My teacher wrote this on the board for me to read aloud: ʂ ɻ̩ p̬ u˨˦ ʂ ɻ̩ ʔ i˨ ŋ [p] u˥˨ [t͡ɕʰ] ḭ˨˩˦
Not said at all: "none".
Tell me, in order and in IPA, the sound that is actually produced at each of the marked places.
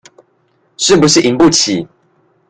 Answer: p, t͡ɕʰ

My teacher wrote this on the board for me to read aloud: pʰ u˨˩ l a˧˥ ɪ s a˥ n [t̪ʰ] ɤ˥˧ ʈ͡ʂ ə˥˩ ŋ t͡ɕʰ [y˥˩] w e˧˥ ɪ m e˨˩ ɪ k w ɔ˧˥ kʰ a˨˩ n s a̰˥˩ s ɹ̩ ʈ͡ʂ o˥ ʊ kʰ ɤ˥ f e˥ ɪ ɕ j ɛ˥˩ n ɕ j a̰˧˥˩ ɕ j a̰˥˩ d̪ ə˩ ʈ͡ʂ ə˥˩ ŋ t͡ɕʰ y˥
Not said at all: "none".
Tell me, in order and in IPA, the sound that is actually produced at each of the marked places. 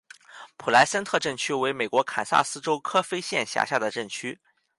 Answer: t̪ʰ, y˥

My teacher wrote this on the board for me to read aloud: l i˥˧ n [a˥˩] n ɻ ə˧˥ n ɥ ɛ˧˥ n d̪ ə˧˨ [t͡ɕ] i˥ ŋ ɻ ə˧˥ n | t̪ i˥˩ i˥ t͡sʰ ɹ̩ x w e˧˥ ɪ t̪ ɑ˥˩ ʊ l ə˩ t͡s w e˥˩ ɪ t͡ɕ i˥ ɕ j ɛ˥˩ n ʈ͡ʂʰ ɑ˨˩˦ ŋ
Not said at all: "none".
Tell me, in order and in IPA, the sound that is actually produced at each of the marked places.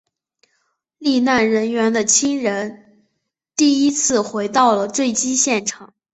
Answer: a˥˩, t͡ɕʰ

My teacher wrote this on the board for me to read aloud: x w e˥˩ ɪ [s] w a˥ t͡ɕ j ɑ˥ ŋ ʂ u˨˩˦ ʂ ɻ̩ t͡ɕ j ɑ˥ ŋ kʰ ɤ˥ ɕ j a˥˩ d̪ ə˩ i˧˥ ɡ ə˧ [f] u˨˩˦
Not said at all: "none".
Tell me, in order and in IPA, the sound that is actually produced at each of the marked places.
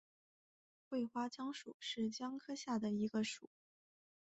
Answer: x, ʂ

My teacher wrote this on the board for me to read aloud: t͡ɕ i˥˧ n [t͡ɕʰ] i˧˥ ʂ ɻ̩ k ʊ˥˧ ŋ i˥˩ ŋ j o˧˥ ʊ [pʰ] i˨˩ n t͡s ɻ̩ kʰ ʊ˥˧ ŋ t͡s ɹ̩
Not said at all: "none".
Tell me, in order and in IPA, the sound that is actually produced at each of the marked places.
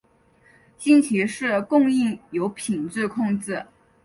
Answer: t͡ɕʰ, pʰ

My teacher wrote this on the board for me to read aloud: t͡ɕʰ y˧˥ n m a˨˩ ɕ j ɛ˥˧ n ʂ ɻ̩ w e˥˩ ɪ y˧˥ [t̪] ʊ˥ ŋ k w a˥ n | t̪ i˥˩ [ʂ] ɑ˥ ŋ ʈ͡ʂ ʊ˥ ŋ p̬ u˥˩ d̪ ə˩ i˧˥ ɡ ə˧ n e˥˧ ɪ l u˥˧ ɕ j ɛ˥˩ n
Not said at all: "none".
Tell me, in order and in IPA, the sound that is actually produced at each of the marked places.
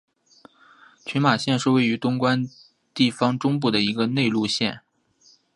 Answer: t̪, f

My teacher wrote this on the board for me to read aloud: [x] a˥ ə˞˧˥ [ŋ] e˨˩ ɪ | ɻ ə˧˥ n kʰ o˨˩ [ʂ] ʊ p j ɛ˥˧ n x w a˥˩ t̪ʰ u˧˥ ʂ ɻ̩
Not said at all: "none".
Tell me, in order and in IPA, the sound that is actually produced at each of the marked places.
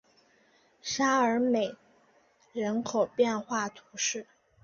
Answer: ʂ, m, none

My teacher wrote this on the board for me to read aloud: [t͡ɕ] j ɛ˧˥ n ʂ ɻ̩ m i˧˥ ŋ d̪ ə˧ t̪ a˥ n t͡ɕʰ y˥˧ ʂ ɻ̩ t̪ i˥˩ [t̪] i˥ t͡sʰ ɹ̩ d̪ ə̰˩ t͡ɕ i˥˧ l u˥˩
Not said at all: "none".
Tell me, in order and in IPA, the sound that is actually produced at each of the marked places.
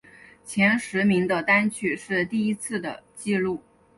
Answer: t͡ɕʰ, none

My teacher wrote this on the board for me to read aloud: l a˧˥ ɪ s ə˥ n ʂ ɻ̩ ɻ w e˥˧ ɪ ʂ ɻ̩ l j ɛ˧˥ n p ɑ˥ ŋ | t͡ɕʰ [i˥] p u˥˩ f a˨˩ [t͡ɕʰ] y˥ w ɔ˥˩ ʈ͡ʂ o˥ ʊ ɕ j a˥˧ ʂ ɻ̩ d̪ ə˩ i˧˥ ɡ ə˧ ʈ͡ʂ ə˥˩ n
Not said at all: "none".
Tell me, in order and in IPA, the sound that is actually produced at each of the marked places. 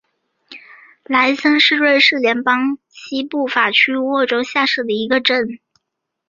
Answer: i˥, t͡ɕʰ

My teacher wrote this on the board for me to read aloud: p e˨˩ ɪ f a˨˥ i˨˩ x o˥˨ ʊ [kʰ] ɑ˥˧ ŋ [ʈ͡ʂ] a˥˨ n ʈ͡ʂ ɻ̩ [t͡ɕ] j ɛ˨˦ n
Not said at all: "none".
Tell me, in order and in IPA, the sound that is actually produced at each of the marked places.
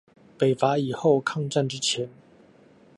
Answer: kʰ, ʈ͡ʂ, t͡ɕʰ

